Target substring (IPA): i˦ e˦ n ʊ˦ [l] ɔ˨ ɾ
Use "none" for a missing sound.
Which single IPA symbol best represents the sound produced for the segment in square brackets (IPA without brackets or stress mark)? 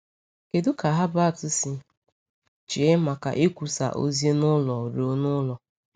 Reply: l